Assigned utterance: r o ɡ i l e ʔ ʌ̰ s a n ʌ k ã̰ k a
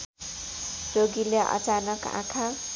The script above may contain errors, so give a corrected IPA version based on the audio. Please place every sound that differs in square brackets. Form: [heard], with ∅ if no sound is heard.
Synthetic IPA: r o ɡ i l e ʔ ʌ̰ [t͡s] a n ʌ k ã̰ [kʰ] a